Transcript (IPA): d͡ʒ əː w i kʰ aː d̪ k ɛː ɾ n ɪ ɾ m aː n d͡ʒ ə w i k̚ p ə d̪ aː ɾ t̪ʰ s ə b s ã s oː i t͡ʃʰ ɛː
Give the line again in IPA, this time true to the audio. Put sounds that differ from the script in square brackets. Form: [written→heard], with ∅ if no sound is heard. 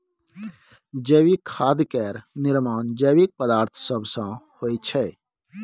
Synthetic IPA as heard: d͡ʒ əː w i kʰ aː d̪ k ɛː ɾ n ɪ ɾ m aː n d͡ʒ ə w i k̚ p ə d̪ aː ɾ t̪ʰ s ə b s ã [s→h] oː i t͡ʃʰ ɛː